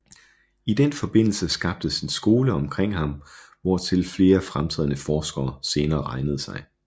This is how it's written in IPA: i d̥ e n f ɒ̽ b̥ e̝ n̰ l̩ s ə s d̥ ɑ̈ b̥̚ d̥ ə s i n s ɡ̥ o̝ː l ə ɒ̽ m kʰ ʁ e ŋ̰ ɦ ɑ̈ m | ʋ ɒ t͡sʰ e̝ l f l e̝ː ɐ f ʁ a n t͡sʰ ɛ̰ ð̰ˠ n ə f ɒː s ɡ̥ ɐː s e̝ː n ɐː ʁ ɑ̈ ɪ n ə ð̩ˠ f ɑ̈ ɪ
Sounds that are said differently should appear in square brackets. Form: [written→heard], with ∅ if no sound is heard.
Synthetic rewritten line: i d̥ e n f ɒ̽ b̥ e̝ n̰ l̩ s ə s [d̥→ɡ̥] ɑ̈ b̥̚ d̥ ə s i n s ɡ̥ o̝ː l ə ɒ̽ m kʰ ʁ e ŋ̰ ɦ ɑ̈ m | ʋ ɒ t͡sʰ e̝ l f l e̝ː ɐ f ʁ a [n→m] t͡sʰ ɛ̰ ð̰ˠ n ə f ɒː s ɡ̥ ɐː s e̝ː n ɐː ʁ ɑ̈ ɪ n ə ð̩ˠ [f→s] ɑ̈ ɪ